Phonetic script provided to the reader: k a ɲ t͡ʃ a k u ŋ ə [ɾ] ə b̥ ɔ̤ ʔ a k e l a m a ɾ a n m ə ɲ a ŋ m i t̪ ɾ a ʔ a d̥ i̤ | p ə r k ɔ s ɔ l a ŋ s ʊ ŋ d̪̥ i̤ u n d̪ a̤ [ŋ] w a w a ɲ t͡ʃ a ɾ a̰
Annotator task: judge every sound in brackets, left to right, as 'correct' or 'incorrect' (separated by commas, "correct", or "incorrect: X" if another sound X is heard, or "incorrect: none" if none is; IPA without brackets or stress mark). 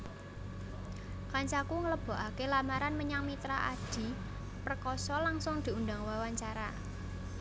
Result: incorrect: l, correct